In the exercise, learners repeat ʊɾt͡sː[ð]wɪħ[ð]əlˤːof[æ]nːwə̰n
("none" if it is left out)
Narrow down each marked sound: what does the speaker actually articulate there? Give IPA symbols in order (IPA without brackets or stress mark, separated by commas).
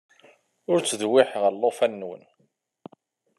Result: ð, ʁ, æ